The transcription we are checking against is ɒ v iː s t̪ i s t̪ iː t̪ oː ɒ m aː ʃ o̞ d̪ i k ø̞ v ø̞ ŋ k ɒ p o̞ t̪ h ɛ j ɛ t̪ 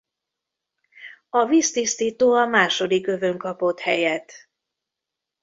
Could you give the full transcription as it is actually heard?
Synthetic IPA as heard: ɒ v iː s t̪ i s t̪ iː t̪ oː ɒ m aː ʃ o̞ d̪ i k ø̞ v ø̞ ŋ k ɒ p o̞ t̪ h ɛ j ɛ t̪

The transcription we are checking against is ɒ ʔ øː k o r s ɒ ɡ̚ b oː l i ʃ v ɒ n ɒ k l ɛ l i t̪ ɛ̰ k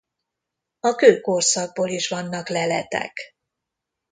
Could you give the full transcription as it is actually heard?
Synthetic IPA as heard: ɒ k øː k o r s ɒ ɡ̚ b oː l i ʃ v ɒ nː ɒ k l ɛ l ɛ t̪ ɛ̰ k

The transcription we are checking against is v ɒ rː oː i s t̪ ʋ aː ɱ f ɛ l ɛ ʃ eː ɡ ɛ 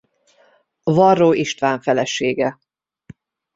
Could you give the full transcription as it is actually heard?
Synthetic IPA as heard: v ɒ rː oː i ʃ t̪ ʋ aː ɱ f ɛ l ɛ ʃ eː ɡ ɛ

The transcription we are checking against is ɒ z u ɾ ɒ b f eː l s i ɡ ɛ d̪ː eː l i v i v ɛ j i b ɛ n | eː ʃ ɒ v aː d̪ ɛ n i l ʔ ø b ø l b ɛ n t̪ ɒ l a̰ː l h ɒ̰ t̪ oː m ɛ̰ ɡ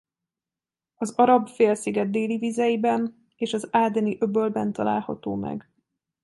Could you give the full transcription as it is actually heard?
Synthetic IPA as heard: ɒ z ɒ ɾ ɒ b f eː l s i ɡ ɛ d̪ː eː l i v i z ɛ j i b ɛ n | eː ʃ ɒ z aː d̪ ɛ n i ʔ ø b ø l b ɛ n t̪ ɒ l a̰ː l h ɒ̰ t̪ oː m ɛ̰ ɡ

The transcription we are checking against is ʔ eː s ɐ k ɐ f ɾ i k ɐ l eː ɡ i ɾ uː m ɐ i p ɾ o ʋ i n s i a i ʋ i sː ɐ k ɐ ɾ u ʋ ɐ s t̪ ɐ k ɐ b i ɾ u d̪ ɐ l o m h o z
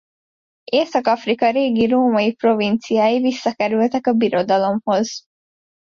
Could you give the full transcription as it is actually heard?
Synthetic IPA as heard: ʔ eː s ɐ k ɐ f ɾ i k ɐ ɾ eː ɡ i ɾ uː m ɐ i p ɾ o ʋ i n s i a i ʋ i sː ɐ k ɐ ɾ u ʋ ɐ t̪ ɐ k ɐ b i ɾ o d̪ ɐ l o m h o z

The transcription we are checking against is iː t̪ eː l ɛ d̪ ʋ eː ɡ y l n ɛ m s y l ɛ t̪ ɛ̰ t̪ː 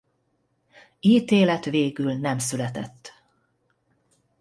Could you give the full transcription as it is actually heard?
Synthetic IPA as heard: iː t̪ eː l ɛ t̪ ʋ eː ɡ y l n ɛ m s y l ɛ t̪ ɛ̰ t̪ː

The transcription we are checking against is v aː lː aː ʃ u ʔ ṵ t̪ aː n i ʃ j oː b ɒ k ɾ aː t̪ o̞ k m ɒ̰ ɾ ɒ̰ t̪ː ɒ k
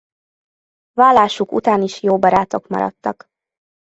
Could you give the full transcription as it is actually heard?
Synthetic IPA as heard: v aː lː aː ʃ u k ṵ t̪ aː n i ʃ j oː b ɒ ɾ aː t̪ o̞ k m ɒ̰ ɾ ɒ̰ t̪ː ɒ k

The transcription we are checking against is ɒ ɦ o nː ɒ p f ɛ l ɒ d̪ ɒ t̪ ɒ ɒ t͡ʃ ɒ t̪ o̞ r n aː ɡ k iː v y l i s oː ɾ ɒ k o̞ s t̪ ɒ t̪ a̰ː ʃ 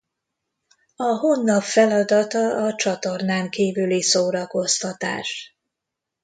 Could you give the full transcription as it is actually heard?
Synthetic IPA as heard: ɒ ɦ o nː ɒ p f ɛ l ɒ d̪ ɒ t̪ ɒ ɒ t͡ʃ ɒ t̪ o̞ r n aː ŋ k iː v y l i s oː ɾ ɒ k o̞ s t̪ ɒ t̪ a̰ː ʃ

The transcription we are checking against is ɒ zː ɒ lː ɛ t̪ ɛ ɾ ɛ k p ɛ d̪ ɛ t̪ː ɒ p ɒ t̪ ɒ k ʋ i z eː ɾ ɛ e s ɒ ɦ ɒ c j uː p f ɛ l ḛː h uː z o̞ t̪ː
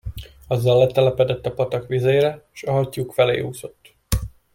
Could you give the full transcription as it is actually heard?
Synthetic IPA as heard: ɒ zː ɒ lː ɛ t̪ ɛ l ɛ p ɛ d̪ ɛ t̪ː ɒ p ɒ t̪ ɒ k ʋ i z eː ɾ ɛ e ʃ ɒ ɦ ɒ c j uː k f ɛ l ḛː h uː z o̞ t̪ː

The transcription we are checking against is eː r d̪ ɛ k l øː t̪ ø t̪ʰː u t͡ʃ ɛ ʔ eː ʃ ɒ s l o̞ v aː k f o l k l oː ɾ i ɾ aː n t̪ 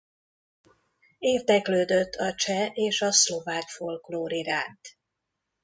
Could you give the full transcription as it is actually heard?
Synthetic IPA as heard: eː r d̪ ɛ k l øː d̪ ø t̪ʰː ɒ t͡ʃ ɛ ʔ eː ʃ ɒ s l o̞ v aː k f o l k l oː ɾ i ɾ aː n t̪

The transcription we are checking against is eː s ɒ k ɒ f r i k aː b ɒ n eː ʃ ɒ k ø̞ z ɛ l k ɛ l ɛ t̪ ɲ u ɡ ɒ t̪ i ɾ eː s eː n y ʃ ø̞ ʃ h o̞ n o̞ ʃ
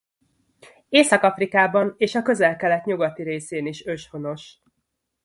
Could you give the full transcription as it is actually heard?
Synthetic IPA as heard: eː s ɒ k ɒ f r i k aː b ɒ n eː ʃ ɒ k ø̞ z ɛ l k ɛ l ɛ t̪ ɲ u ɡ ɒ t̪ i ɾ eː s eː n i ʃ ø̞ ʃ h o̞ n o̞ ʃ

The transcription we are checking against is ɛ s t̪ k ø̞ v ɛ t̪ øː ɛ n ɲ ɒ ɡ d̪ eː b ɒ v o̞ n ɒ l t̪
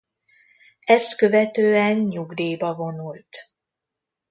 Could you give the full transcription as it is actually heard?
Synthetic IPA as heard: ɛ s t̪ k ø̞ v ɛ t̪ øː ɛ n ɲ u ɡ d̪ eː b ɒ v o̞ n u l t̪

